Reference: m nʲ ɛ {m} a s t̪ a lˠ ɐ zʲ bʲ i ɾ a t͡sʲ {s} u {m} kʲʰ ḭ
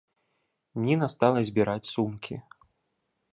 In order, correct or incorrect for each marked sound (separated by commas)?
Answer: incorrect, correct, correct